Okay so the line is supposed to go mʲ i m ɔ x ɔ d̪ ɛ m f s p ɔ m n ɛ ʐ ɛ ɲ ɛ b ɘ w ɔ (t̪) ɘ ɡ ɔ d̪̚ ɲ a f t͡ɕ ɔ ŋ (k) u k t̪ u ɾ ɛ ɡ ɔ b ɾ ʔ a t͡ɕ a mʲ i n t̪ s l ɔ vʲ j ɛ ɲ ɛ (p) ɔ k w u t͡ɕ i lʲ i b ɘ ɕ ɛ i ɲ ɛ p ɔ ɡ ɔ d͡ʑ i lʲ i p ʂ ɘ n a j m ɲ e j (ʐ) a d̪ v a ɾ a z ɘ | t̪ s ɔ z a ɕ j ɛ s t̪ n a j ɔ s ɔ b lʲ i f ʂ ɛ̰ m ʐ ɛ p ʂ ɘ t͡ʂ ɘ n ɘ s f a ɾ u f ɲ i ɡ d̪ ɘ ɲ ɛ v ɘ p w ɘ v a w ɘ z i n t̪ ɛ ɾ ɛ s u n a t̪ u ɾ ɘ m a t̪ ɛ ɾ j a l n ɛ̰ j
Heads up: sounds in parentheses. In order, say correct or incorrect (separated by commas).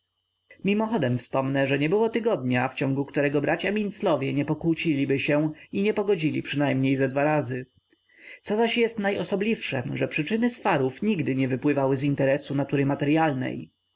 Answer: correct, incorrect, correct, incorrect